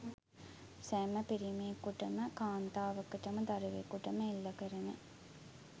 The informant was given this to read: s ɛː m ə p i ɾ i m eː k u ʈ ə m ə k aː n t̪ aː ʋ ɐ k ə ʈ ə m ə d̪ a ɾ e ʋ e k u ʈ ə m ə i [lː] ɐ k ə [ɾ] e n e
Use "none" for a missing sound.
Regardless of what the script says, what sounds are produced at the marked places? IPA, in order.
lː, ɾ

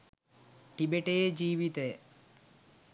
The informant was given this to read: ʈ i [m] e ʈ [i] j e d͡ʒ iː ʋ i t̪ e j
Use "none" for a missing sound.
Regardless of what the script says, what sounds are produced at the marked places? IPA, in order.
b, e

